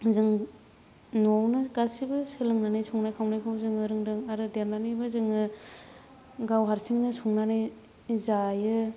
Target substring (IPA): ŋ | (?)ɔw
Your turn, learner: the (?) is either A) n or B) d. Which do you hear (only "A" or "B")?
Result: A